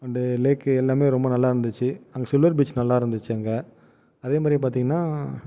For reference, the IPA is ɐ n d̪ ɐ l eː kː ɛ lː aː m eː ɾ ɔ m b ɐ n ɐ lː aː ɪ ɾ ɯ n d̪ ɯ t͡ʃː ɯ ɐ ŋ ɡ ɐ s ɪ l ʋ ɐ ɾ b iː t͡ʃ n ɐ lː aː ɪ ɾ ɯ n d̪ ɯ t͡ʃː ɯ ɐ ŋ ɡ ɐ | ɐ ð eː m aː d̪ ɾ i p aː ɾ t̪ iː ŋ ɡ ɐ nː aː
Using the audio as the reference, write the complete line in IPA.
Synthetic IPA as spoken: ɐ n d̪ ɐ l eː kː ɛ lː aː m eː ɾ ɔ m b ɐ n ɐ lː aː ɪ ɾ ɯ n d̪ ɯ t͡ʃː ɯ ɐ ŋ ɡ ɐ s ɪ l ʋ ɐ ɾ b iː t͡ʃ n ɐ lː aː ɪ ɾ ɯ n d̪ ɯ t͡ʃː ɯ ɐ ŋ ɡ ɐ | ɐ ð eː m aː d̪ ɾ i p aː ɾ t̪ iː ŋ ɡ ɐ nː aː